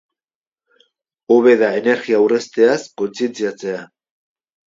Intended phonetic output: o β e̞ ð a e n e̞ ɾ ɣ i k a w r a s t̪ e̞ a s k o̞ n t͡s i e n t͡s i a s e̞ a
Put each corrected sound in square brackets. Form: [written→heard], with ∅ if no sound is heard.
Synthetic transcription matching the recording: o β e̞ ð a e n e̞ ɾ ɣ i [k→∅] a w r [a→e] s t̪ e̞ a s k o̞ n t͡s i e n t͡s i a [s→t͡s] e̞ a

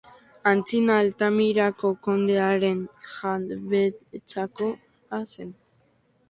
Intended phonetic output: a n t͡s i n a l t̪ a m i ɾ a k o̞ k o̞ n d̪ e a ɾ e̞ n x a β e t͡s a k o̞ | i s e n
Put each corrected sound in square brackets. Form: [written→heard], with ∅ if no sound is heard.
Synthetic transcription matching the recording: a n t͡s i n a l t̪ a m i ɾ a k o̞ k o̞ n d̪ e a ɾ e̞ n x a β e t͡s a k o̞ | [i→a] s e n

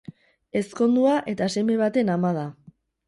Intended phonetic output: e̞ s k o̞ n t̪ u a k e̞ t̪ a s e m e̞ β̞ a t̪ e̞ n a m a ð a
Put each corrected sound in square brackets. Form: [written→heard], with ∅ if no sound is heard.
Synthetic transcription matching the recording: e̞ s k o̞ n [t̪→d̪] u a [k→ʔ] e̞ t̪ a s e m e̞ β̞ a t̪ e̞ n a m a ð a

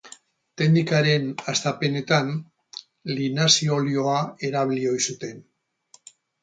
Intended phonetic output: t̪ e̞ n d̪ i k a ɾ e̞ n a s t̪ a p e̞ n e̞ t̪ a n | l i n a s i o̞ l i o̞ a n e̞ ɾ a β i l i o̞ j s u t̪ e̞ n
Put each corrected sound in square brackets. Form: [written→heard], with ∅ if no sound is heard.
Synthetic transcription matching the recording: t̪ e̞ n d̪ i k a ɾ e̞ n a s t̪ a p e̞ n e̞ t̪ a n | l i n a s i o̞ l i o̞ a [n→∅] e̞ ɾ a β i l i o̞ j s u t̪ e̞ n

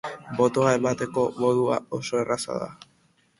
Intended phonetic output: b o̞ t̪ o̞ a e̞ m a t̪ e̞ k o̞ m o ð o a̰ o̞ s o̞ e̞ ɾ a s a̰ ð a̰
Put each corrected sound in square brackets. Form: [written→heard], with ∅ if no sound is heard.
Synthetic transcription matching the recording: b o̞ t̪ o̞ a e̞ m a t̪ e̞ k o̞ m o ð [o→u] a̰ o̞ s o̞ e̞ [ɾ→r] a s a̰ ð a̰

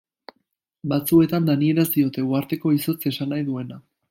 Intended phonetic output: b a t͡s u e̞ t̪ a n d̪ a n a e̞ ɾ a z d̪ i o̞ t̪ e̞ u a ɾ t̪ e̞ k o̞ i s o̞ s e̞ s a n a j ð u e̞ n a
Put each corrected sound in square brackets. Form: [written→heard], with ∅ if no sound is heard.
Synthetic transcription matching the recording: b a t͡s u e̞ t̪ a n d̪ a n [a→i] e̞ ɾ a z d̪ i o̞ t̪ e̞ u a ɾ t̪ e̞ k o̞ i s o̞ [s→t͡s] e̞ s a n a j ð u e̞ n a

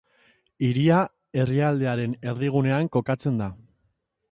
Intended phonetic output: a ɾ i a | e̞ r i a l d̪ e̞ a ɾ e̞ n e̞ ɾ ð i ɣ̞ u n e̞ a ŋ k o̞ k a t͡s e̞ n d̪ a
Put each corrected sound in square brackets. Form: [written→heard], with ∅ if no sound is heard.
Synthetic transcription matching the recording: [a→i] ɾ i a | e̞ r i a l d̪ e̞ a ɾ e̞ n e̞ ɾ ð i ɣ̞ u n e̞ a ŋ k o̞ k a t͡s e̞ n d̪ a

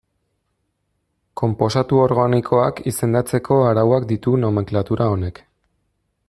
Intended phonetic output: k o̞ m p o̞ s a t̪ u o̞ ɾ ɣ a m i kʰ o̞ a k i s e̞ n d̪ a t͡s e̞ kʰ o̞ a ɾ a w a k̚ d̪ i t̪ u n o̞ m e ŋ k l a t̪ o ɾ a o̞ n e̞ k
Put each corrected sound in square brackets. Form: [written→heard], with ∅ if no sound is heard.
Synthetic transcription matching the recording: k o̞ m p o̞ s a t̪ u o̞ ɾ ɣ a [m→n] i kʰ o̞ a k i s e̞ n d̪ a t͡s e̞ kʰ o̞ a ɾ a w a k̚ d̪ i t̪ u n o̞ m e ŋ k l a t̪ [o→u] ɾ a o̞ n e̞ k

